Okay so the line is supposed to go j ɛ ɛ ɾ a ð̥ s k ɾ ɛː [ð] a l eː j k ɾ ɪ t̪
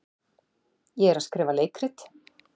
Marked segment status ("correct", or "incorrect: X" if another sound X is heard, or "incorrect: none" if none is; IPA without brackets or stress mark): incorrect: v